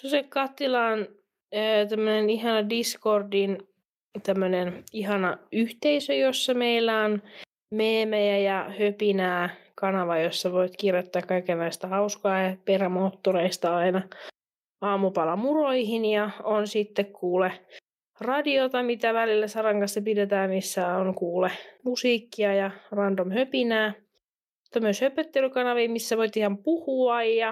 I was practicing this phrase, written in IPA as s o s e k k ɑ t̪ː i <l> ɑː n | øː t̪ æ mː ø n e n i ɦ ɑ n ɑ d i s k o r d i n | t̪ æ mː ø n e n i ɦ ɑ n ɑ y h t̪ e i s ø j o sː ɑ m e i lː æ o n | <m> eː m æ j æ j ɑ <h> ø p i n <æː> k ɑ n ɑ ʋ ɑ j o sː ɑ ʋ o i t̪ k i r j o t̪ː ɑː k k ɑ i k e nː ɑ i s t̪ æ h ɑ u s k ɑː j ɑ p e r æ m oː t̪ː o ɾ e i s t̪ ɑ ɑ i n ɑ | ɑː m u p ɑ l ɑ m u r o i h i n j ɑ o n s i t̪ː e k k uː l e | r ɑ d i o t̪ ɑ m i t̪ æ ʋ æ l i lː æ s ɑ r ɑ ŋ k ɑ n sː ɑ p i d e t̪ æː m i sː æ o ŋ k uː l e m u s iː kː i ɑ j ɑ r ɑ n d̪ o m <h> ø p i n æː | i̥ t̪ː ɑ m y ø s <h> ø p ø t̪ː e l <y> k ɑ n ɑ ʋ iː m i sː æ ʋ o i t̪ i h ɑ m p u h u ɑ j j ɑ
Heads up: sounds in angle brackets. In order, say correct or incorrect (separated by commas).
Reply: correct, correct, correct, correct, correct, correct, correct